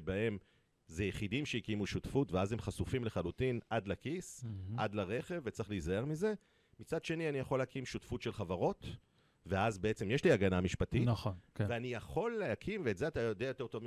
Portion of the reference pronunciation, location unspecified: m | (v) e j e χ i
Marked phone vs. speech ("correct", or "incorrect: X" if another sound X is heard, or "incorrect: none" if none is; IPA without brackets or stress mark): incorrect: z